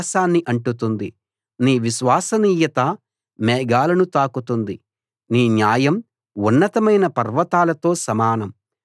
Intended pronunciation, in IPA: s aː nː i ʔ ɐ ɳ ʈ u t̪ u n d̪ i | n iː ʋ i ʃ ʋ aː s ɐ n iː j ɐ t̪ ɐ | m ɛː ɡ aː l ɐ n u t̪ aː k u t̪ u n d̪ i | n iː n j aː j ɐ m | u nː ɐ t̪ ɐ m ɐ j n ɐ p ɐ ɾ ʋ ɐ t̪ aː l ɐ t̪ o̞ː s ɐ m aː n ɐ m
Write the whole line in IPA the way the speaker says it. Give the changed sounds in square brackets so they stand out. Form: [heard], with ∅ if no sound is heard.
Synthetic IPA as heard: s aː nː i ʔ ɐ ɳ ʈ u t̪ u n d̪ i | n iː ʋ i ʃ ʋ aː s ɐ n iː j ɐ t̪ ɐ | m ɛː ɡ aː l ɐ n u t̪ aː k u t̪ u n d̪ i | n iː n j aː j ɐ m | u nː ɐ t̪ ɐ m ɐ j n ɐ p ɐ ɾ ʋ ɐ t̪ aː l ɐ t̪ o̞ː s ɐ m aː n ɐ m